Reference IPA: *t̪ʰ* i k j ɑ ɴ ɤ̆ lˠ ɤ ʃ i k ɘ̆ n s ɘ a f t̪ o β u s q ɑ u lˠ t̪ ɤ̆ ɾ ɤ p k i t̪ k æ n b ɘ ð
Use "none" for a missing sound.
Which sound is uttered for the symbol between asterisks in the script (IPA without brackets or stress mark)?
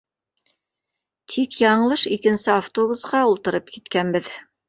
t̪ʰ